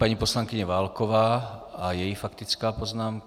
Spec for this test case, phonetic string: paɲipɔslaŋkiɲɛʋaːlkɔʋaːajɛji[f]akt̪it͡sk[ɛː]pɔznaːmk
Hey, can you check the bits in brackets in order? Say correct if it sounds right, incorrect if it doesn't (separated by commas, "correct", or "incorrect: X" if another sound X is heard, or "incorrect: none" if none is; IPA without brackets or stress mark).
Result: correct, incorrect: aː